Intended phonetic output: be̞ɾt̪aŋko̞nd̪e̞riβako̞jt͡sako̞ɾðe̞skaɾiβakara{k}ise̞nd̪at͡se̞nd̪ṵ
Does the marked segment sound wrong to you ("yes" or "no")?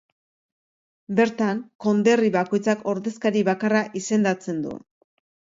yes